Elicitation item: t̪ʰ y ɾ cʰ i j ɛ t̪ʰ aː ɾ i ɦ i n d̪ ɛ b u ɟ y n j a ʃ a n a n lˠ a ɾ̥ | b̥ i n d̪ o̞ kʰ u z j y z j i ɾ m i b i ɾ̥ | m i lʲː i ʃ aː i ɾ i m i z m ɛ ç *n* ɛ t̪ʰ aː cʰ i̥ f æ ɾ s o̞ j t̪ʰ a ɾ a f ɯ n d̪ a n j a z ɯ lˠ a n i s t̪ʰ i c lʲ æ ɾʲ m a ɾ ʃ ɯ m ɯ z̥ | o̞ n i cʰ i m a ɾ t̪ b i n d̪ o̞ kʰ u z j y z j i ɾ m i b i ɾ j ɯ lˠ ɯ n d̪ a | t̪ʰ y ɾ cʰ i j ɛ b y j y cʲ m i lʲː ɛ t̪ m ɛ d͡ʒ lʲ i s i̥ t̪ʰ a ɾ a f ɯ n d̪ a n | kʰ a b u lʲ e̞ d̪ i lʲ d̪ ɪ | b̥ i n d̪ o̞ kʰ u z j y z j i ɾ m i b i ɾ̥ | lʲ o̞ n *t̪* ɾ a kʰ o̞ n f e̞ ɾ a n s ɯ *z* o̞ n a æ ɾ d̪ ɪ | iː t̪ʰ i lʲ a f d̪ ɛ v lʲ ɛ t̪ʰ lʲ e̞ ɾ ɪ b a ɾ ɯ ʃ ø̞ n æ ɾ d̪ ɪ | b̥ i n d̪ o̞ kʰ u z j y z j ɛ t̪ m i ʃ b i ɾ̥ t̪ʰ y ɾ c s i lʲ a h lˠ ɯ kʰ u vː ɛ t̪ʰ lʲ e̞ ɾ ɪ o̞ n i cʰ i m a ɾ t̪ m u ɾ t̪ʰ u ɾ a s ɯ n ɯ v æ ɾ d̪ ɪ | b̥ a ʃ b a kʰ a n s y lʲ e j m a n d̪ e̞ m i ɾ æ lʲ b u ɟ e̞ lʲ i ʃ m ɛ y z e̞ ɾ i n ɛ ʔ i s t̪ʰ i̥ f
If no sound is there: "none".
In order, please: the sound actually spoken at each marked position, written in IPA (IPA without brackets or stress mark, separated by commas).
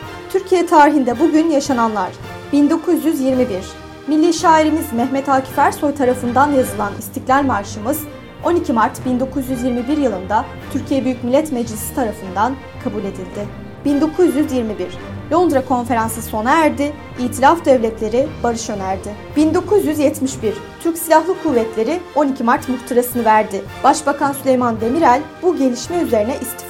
m, d̪, s